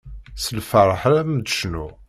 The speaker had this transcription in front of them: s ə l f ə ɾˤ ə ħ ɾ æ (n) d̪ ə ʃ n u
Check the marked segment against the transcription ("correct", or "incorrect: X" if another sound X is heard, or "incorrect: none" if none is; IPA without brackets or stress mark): incorrect: m